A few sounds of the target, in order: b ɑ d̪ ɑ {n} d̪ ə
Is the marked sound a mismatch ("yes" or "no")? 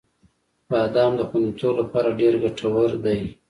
yes